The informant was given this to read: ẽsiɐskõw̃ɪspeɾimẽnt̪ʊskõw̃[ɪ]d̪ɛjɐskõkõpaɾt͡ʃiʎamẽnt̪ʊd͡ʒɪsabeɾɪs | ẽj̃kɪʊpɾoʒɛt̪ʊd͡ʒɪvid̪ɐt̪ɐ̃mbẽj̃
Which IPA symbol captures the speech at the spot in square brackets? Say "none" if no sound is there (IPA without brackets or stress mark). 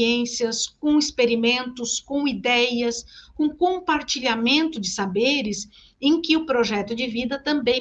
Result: i